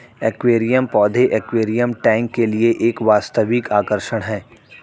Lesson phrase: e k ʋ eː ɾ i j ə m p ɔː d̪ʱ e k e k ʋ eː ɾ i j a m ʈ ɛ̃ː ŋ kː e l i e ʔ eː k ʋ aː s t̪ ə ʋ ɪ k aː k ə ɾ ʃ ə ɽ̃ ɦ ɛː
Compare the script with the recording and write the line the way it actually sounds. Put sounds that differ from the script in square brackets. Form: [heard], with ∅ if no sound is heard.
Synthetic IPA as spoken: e k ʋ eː ɾ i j ə m p ɔː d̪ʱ e [ʔ] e k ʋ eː ɾ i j [ə] m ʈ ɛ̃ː ŋ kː e l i e ʔ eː k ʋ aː s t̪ ə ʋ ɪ k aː k ə ɾ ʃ ə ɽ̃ ɦ ɛː